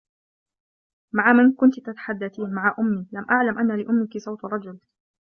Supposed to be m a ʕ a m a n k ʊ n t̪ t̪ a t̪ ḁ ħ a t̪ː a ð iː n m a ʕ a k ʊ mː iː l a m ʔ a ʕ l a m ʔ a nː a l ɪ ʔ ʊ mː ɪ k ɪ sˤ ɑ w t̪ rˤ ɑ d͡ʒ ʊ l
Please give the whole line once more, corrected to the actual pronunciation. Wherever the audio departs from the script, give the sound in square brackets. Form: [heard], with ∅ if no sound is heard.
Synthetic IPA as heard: m a ʕ a m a n k ʊ n t̪ t̪ a t̪ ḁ ħ a [d̪ː] a [θ] iː n m a ʕ a [ʔ] ʊ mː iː l a m ʔ a ʕ l a m ʔ a nː a l ɪ ʔ ʊ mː ɪ k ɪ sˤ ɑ w t̪ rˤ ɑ d͡ʒ ʊ l